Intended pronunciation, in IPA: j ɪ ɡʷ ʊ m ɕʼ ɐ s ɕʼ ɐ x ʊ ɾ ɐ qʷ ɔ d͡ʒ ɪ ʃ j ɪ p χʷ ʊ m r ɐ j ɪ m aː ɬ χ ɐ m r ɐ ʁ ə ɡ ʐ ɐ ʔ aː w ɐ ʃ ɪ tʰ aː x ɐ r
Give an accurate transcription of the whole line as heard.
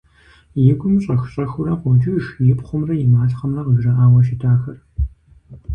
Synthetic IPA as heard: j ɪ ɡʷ ʊ m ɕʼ ɐ x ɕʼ ɐ x ʊ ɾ ɐ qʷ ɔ d͡ʒ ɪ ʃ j ɪ p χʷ ʊ m r ɐ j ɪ m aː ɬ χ ɐ m r ɐ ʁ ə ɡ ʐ ɐ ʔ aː w ɐ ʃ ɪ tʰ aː x ɐ r